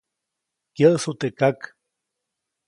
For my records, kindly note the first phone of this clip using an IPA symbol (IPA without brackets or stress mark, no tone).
k